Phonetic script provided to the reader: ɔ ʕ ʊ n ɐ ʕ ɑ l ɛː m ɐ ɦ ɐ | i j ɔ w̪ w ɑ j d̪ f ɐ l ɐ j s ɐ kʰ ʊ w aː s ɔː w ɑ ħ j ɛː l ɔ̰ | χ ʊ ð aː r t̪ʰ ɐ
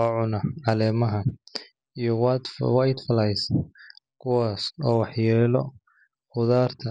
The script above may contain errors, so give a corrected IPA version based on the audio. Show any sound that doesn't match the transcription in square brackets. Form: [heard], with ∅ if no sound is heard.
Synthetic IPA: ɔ ʕ ʊ n ɐ ʕ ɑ l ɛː m ɐ ɦ ɐ | i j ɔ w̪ w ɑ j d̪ f ɐ l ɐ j s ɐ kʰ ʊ w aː s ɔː w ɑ ħ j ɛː l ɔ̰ | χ ʊ ð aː r t̪ʰ ɐ